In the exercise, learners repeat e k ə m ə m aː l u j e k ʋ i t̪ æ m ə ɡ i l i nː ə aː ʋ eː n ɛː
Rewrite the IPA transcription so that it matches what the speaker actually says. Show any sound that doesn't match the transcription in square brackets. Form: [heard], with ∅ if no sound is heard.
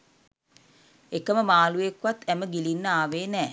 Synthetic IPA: e k ə m ə m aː l u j e k ʋ [a] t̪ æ m ə ɡ i l i nː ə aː ʋ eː n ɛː